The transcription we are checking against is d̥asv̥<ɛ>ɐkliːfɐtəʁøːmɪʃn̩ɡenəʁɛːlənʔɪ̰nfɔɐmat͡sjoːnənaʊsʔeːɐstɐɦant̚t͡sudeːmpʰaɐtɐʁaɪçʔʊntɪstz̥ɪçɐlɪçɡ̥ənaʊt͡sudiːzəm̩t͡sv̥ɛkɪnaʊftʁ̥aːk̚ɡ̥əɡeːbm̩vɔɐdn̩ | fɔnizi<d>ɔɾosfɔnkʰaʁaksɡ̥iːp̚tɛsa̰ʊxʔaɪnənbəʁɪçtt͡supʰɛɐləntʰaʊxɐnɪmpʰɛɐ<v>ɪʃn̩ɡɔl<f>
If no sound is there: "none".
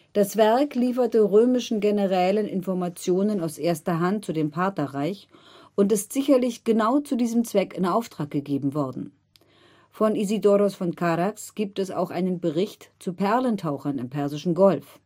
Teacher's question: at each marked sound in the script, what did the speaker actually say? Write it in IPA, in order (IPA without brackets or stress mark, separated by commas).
ɛ, d, z, f